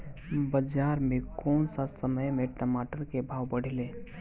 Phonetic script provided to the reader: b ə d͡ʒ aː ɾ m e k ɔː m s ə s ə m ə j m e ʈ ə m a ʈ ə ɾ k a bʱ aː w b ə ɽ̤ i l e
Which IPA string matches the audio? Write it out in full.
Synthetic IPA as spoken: b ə d͡ʒ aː ɾ m e k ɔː n s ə s ə m ə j m e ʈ ə m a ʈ ə ɾ k e bʱ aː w b ə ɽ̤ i l e